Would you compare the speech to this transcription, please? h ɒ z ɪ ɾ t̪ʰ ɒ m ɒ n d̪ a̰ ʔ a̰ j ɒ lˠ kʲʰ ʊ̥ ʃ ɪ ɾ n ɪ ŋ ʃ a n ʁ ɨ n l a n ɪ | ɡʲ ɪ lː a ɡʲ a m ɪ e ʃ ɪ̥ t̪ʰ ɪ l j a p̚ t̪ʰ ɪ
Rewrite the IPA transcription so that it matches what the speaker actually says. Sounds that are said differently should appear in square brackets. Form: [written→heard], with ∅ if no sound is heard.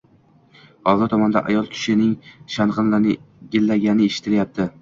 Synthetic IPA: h ɒ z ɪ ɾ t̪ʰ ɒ m ɒ n d̪ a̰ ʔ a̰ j ɒ lˠ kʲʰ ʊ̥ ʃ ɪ [ɾ→∅] n ɪ ŋ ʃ a n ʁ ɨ n l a n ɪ | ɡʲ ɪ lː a ɡʲ a [m→n] ɪ e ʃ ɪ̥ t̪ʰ ɪ l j a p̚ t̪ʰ ɪ